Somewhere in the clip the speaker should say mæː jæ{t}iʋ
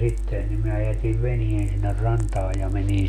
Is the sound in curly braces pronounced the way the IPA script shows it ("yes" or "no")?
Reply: yes